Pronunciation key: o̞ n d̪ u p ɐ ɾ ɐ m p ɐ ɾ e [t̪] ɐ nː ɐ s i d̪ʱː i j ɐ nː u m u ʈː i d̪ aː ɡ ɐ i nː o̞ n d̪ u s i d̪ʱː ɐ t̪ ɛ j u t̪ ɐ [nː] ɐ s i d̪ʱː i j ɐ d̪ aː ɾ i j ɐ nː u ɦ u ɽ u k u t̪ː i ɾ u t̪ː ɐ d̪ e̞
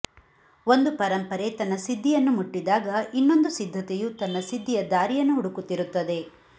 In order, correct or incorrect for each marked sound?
correct, correct

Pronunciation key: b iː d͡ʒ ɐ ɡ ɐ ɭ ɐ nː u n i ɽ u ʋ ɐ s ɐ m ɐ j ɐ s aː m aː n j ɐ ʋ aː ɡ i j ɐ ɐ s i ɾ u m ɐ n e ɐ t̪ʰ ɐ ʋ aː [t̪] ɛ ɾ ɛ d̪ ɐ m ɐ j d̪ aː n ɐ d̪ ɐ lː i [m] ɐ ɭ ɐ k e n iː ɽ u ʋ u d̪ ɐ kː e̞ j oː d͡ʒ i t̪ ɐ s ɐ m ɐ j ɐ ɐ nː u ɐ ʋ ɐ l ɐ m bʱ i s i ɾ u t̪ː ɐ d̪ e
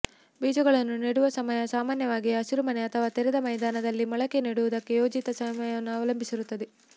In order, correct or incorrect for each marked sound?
correct, correct

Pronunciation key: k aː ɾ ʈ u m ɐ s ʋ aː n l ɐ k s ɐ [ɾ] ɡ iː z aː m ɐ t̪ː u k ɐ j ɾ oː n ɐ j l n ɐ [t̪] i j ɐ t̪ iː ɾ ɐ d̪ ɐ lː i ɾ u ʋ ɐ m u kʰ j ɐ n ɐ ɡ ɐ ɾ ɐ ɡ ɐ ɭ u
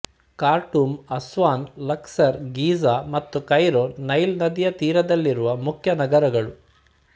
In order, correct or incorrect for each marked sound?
correct, incorrect: d̪

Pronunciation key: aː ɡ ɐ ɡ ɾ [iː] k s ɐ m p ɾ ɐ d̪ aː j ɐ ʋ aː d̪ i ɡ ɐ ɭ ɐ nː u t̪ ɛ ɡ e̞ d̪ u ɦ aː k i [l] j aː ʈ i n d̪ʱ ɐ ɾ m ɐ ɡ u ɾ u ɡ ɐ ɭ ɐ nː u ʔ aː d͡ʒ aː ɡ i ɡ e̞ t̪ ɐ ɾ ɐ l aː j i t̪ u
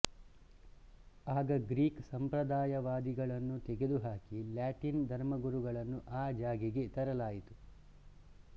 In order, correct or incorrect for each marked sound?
correct, correct

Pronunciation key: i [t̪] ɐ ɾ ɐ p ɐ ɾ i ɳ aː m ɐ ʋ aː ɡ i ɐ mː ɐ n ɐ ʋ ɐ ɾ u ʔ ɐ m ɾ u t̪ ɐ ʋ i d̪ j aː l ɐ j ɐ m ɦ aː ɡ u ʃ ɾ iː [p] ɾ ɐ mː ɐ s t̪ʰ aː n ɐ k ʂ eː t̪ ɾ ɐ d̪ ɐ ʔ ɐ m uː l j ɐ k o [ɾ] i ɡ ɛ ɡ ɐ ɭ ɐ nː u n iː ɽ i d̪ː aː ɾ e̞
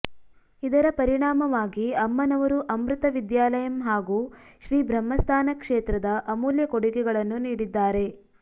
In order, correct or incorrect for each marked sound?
incorrect: d̪, incorrect: b, incorrect: ɽ

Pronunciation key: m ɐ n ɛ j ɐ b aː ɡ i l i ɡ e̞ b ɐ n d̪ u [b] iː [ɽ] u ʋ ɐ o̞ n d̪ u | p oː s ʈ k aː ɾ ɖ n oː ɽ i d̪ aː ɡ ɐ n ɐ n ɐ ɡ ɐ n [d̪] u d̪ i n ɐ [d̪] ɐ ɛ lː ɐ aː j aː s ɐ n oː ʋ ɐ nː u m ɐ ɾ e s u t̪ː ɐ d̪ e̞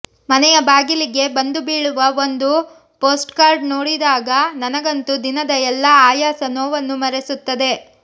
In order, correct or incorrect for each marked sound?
correct, incorrect: ɭ, incorrect: t̪, correct

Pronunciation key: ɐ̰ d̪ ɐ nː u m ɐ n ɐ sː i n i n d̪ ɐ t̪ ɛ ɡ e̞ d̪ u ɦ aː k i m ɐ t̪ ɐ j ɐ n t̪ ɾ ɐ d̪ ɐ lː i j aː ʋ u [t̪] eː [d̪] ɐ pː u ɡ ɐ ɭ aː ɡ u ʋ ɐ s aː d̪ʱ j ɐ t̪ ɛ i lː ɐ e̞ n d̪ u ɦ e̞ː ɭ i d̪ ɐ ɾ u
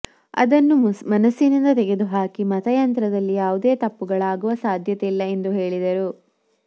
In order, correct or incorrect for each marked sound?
incorrect: d̪, incorrect: t̪

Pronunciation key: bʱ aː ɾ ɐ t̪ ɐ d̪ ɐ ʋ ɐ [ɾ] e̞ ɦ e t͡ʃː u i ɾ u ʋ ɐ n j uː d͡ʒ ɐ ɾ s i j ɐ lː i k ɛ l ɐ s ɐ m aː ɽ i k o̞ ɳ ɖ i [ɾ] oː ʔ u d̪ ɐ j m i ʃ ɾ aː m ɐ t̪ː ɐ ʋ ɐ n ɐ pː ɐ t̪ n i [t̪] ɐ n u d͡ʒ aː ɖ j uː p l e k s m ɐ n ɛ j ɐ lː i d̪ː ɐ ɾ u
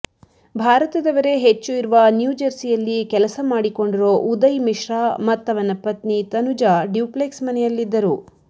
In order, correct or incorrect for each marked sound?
correct, correct, correct

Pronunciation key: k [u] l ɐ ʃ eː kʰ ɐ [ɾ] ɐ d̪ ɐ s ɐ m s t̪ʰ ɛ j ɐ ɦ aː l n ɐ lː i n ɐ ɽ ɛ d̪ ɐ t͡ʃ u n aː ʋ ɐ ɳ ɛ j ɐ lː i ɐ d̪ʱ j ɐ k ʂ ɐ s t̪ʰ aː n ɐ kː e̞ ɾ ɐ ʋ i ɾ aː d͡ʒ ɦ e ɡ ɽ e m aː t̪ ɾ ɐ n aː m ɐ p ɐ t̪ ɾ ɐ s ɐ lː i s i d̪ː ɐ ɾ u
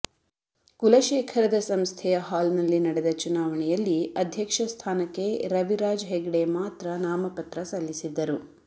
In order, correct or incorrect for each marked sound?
correct, correct

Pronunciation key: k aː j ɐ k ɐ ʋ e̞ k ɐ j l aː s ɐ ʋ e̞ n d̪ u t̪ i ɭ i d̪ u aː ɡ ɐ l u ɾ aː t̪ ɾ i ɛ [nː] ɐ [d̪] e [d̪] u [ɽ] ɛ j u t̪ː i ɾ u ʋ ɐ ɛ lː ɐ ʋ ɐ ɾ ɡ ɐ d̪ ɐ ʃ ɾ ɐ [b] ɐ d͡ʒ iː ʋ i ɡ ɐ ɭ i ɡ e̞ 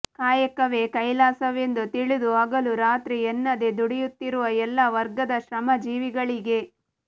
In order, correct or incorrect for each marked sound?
correct, correct, correct, correct, incorrect: m

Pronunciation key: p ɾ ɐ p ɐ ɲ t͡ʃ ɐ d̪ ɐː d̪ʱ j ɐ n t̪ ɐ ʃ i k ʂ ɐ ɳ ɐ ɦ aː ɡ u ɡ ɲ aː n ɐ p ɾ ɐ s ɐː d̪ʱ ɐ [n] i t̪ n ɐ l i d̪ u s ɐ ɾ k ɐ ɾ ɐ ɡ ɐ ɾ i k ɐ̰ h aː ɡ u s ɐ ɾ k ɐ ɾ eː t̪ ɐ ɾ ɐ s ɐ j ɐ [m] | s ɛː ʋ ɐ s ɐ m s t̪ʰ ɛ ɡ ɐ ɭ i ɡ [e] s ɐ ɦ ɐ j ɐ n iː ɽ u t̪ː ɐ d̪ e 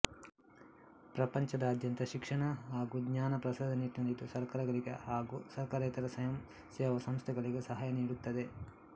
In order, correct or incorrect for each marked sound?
correct, correct, correct

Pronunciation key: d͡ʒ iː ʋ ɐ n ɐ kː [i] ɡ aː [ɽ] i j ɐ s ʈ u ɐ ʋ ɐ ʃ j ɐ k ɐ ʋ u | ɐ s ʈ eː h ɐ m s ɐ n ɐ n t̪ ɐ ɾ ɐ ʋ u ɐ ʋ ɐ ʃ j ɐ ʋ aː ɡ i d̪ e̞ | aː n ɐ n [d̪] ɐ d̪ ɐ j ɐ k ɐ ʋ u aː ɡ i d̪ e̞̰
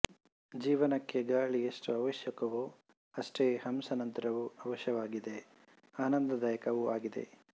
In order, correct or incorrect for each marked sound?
incorrect: e, incorrect: ɭ, correct

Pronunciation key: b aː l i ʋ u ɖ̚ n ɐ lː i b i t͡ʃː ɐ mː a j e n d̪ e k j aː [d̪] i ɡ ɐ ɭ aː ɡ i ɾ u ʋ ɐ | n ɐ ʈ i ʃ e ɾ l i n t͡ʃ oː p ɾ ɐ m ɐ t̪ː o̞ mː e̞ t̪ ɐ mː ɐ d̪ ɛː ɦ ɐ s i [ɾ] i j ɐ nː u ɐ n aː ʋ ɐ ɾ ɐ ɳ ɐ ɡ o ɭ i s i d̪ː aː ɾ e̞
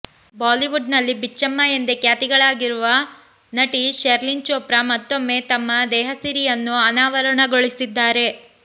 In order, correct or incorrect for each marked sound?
incorrect: t̪, correct

